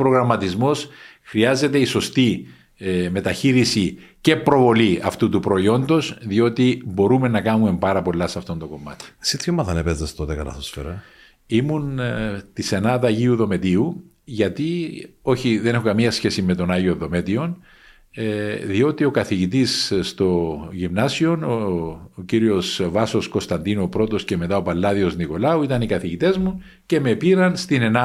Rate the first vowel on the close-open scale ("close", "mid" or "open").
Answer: mid